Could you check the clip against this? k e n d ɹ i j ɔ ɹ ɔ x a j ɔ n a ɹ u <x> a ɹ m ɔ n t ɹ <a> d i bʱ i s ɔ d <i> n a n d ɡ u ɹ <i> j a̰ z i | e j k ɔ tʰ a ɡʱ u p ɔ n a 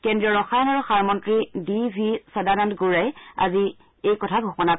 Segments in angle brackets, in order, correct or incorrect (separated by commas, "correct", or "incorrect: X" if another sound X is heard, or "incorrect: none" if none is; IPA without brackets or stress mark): correct, incorrect: i, incorrect: a, incorrect: a